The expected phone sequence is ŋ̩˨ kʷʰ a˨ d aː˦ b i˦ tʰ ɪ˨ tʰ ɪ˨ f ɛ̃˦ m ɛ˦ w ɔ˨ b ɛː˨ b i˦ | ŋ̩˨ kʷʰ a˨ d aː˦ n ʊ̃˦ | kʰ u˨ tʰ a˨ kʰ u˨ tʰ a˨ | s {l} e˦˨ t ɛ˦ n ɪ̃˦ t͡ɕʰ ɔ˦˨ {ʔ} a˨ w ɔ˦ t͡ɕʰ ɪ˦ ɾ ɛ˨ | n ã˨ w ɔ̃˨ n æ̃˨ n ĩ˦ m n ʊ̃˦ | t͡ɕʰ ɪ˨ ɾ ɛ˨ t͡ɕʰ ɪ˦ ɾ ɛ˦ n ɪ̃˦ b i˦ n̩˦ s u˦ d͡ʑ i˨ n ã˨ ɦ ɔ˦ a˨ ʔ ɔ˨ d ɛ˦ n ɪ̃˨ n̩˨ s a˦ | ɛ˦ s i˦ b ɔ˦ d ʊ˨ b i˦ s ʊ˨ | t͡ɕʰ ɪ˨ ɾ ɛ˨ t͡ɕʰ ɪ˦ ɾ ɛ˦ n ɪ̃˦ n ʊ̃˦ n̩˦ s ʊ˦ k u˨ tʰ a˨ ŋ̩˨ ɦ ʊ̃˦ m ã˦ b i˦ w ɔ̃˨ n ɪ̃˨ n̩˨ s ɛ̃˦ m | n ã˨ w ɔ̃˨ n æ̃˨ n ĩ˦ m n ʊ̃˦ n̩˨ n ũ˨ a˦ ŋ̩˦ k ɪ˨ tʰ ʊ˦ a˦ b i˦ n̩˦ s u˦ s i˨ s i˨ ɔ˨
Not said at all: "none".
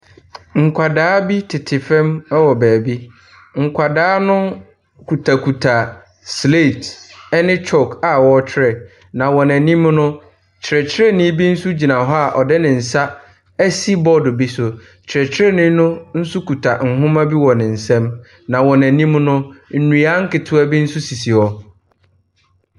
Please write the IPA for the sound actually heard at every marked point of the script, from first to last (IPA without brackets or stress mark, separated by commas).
l, k